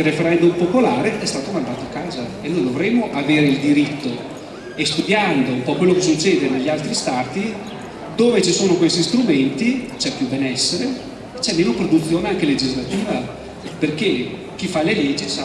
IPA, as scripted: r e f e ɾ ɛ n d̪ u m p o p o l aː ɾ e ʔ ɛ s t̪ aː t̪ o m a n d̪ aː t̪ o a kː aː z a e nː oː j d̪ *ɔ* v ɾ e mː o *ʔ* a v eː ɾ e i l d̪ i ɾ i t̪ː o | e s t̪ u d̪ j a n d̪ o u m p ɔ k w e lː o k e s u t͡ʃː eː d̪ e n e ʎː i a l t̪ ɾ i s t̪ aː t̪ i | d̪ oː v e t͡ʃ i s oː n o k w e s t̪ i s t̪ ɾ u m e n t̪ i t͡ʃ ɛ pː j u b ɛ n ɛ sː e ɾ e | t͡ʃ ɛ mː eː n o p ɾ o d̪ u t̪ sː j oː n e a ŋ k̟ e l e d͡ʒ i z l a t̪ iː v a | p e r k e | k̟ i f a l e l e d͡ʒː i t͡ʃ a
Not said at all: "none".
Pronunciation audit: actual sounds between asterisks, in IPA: o, ʔ

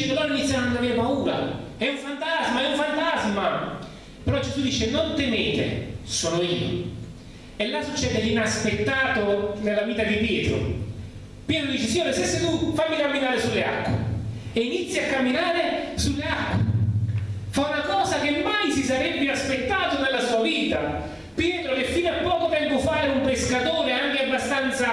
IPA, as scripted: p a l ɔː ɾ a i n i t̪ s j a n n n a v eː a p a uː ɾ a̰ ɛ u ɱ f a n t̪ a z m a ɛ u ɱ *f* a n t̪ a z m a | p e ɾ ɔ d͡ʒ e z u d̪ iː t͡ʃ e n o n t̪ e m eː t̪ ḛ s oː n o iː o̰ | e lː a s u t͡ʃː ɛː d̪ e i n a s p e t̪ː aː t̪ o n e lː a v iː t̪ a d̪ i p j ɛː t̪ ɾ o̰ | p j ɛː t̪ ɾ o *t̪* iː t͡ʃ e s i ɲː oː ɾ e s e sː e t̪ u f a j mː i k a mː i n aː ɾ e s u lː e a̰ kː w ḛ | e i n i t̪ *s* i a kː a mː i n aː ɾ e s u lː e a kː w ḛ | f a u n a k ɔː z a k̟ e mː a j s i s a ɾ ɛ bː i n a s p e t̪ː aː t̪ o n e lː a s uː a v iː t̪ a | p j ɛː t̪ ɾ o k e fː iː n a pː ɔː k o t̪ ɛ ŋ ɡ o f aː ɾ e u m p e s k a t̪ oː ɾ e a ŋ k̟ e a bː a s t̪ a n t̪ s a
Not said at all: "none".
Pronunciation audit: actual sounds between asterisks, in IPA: f, d̪, sː

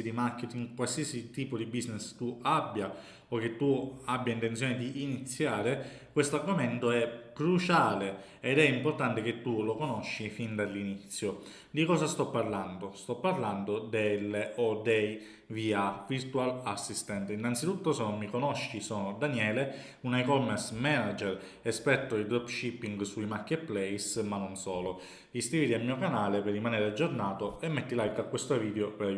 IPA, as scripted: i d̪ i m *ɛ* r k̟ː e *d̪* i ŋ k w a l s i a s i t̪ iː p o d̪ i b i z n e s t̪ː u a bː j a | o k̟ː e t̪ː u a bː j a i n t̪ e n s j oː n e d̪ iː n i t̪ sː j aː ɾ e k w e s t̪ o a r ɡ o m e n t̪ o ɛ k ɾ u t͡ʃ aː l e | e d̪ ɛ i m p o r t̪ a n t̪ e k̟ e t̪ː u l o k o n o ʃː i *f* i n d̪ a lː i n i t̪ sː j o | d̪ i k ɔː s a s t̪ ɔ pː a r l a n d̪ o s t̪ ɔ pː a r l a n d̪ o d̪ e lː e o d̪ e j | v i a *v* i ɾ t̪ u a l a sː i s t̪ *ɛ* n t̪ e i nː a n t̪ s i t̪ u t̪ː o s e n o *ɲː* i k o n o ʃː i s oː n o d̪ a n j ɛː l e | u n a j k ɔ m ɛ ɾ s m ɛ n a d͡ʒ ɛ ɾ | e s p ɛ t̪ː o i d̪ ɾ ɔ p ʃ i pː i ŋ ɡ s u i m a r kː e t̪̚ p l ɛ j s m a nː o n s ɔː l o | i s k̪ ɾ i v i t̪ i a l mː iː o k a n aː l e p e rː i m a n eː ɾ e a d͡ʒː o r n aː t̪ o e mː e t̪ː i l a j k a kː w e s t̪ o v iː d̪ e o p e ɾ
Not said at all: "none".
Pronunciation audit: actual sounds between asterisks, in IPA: a, t̪, f, v, ɛ, mː

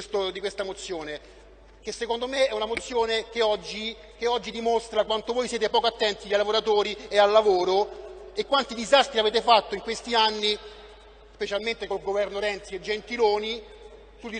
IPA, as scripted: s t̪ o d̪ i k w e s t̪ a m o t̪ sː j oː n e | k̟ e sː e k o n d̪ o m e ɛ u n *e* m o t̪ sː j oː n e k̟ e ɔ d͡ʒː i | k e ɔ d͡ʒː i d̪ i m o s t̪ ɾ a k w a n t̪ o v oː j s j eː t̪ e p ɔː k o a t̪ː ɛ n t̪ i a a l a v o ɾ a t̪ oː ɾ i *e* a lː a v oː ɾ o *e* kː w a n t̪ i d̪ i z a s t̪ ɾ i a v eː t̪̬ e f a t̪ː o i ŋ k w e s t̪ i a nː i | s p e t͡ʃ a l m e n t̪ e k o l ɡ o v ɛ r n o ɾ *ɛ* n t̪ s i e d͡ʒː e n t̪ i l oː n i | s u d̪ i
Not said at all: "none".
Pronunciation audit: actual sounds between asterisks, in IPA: a, e, e, ɛ

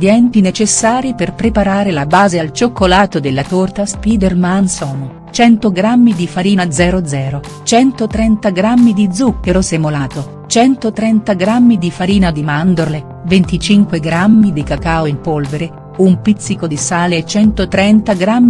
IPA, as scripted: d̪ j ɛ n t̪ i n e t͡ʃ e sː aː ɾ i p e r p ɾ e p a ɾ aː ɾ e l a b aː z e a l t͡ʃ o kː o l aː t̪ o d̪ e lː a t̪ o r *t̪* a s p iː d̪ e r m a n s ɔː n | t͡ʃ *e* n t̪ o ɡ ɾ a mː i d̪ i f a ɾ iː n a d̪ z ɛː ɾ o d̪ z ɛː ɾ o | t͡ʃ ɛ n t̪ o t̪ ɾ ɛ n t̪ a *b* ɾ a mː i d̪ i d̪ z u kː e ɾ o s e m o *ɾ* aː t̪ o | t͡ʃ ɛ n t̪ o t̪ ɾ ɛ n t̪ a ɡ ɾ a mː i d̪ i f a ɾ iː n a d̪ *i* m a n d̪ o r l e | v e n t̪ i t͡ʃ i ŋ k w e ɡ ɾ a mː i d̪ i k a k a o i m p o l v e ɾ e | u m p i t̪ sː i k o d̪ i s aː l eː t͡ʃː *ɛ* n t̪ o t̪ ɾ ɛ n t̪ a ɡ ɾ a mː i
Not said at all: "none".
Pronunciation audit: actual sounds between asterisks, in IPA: t̪, ɛ, ɡ, l, i, ɛ

